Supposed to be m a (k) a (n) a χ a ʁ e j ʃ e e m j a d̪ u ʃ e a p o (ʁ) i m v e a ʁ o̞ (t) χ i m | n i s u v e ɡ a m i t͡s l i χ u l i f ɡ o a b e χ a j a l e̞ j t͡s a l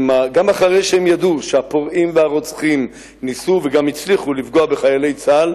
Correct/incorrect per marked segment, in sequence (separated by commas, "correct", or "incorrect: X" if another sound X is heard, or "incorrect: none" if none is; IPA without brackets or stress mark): incorrect: ɡ, incorrect: m, correct, incorrect: t͡s